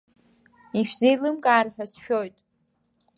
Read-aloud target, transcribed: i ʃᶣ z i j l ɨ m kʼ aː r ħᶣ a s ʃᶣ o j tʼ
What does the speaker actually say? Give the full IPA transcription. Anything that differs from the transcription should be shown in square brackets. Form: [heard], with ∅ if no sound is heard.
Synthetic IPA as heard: i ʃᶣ z [e] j l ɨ m kʼ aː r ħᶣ a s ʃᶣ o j tʼ